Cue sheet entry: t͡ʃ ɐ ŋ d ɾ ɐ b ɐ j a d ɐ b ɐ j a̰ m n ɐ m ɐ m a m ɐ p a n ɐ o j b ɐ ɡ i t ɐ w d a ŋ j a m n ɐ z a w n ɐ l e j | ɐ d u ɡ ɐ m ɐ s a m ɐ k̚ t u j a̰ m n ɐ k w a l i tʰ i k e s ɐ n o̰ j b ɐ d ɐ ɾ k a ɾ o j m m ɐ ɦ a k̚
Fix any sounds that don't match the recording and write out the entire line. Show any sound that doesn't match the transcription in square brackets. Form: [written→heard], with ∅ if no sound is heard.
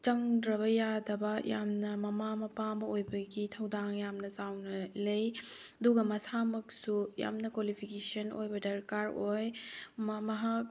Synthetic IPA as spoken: t͡ʃ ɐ ŋ d ɾ ɐ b ɐ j a d ɐ b ɐ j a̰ m n ɐ m ɐ m a m ɐ p a [n→m] ɐ o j b ɐ ɡ i [t→tʰ] ɐ w d a ŋ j a m n ɐ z a w n ɐ l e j | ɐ d u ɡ ɐ m ɐ s a m ɐ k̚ [t→s] u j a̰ m n ɐ k w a l i [tʰ→pʰ] i k e s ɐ n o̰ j b ɐ d ɐ ɾ k a ɾ o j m m ɐ ɦ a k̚